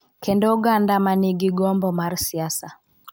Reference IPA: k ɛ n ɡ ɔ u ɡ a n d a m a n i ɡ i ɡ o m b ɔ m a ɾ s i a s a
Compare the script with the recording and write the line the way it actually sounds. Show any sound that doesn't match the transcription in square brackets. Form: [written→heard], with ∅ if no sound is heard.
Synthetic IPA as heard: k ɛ n [ɡ→d] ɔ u ɡ a n d a m a n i ɡ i ɡ [o→ɔ] m b ɔ m a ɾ s i a s a

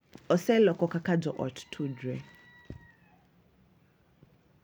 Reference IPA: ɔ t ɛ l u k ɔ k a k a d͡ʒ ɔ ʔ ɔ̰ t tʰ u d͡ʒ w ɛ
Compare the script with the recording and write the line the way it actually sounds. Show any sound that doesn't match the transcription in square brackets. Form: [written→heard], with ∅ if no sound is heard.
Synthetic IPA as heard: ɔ [t→s] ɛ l [u→ɔ] k ɔ k a k a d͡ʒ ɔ ʔ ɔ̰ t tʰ u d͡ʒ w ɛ

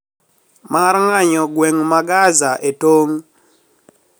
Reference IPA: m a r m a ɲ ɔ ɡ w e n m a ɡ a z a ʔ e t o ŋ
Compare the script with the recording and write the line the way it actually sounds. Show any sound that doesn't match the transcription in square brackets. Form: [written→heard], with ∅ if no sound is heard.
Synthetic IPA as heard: m a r [m→ŋ] a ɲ ɔ ɡ w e [n→ŋ] m a ɡ a z a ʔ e t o ŋ

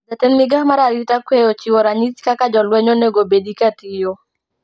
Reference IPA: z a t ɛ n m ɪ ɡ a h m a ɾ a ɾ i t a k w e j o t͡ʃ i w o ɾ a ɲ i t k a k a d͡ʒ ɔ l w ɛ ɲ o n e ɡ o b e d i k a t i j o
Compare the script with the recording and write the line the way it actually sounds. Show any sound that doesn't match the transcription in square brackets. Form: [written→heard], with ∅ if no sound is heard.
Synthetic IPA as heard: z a t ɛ n m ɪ ɡ a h m a ɾ a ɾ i t a k w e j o t͡ʃ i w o ɾ a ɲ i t k a k a d͡ʒ ɔ l w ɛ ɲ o n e ɡ o b e d i k a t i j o

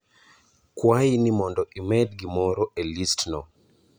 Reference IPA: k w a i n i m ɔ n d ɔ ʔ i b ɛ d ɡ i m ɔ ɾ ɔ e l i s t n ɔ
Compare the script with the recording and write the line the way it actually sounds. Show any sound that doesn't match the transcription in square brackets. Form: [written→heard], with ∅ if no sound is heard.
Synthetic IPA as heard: k w a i n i m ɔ n d ɔ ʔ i [b→m] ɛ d ɡ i m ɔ ɾ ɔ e l i s t n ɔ

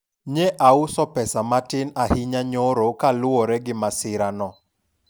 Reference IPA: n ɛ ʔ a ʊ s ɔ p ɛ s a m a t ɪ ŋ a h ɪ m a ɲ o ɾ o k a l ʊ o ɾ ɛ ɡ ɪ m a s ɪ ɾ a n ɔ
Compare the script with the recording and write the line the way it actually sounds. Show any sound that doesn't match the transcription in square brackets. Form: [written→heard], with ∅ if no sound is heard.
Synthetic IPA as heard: [n→ɲ] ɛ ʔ a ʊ s ɔ p ɛ s a m a t ɪ [ŋ→n] a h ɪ [m→ɲ] a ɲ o ɾ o k a l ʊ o ɾ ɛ ɡ ɪ m a s ɪ ɾ a n ɔ

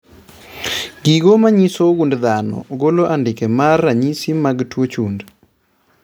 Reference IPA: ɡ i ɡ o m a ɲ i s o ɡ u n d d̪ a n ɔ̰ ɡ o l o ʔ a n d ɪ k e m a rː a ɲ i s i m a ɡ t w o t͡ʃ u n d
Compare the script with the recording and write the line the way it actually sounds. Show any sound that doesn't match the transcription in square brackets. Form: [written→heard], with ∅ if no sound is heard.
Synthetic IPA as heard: ɡ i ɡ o m a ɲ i s o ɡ u n d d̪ a n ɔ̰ ɡ o l o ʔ a n d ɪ k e m a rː a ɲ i s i m a ɡ t w o t͡ʃ u n d

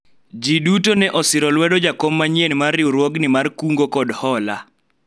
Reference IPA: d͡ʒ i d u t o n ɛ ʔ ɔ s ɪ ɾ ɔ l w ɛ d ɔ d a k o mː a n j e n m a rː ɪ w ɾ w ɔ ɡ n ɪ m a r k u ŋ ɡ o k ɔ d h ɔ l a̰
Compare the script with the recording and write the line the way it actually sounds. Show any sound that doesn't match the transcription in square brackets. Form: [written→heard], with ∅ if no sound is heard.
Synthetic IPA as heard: d͡ʒ i d u t o n ɛ ʔ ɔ s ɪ ɾ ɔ l w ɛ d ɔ [d→d͡ʒ] a k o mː a [n→ɲ] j e n m a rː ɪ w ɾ w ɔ ɡ n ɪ m a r k u ŋ ɡ o k ɔ d h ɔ l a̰

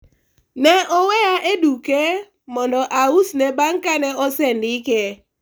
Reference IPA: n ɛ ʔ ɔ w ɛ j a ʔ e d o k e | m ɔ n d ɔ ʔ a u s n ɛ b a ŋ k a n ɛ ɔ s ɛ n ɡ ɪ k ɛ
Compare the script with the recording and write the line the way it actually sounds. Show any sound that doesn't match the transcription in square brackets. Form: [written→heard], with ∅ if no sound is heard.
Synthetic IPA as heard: n ɛ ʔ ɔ w ɛ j a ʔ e d [o→u] k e | m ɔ n d ɔ ʔ a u s n ɛ b a ŋ k a n ɛ ɔ s ɛ n [ɡ→d] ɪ k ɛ

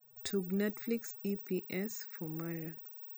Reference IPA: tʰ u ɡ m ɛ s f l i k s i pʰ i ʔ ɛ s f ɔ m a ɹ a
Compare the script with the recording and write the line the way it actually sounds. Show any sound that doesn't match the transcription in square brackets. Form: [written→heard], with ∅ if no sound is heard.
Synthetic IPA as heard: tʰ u ɡ [m→n] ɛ [s→t] f l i k s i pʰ i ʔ ɛ s f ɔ m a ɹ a

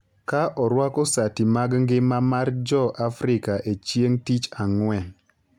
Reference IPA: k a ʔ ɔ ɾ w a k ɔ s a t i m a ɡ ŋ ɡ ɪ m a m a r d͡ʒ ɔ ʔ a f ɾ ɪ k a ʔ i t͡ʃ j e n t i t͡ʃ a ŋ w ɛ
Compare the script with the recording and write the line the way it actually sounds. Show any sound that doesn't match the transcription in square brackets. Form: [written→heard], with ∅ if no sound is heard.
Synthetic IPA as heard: k a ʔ ɔ ɾ w a k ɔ s a t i m a ɡ ŋ ɡ ɪ m a m a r d͡ʒ ɔ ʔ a f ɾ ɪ k a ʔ [i→e] t͡ʃ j e [n→ŋ] t i t͡ʃ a ŋ w ɛ

